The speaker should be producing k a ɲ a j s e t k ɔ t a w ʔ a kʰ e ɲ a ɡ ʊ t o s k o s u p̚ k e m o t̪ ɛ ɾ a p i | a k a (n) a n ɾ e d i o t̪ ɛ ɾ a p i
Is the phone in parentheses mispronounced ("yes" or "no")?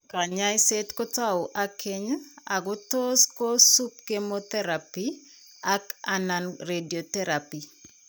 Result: no